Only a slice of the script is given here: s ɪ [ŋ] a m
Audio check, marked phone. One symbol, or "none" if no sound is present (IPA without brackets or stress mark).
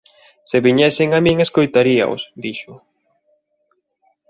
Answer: ŋ